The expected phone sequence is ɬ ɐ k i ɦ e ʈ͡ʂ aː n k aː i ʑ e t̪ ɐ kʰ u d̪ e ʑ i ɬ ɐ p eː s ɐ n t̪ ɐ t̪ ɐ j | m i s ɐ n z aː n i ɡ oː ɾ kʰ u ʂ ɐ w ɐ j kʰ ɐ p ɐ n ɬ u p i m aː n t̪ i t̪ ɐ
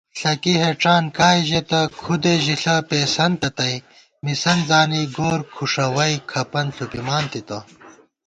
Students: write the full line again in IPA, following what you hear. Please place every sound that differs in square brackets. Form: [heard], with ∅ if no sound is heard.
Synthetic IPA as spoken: ɬ ɐ k i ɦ e ʈ͡ʂ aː n k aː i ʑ e t̪ ɐ kʰ u d̪ e ʑ i ɬ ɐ p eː s ɐ n t̪ ɐ t̪ ɐ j | m i s ɐ n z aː n i ɡ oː ɾ kʰ u ʂ ɐ w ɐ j kʰ ɐ p ɐ n ɬ u p i m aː n t̪ i t̪ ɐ